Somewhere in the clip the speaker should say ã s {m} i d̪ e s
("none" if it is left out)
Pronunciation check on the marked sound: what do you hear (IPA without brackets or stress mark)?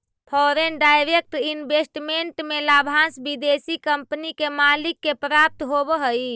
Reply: b